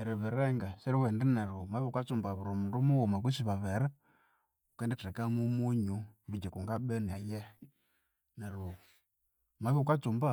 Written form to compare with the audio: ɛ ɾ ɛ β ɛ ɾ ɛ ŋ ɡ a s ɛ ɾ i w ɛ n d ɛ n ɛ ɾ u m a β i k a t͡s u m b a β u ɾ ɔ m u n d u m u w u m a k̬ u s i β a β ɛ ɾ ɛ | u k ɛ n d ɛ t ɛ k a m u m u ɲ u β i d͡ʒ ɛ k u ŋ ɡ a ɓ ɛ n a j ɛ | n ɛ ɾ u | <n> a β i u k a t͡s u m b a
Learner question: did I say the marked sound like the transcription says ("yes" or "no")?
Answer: no